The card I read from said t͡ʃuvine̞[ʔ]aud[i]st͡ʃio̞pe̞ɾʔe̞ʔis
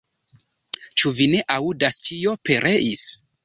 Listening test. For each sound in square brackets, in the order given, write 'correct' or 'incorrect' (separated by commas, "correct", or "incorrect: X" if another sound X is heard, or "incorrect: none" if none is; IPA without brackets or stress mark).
correct, incorrect: a